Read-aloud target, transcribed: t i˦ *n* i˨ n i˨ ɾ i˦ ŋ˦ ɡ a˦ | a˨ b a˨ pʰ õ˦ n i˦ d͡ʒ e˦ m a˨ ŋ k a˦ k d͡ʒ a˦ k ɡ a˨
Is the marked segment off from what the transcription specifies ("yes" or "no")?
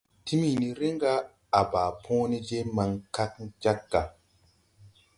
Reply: yes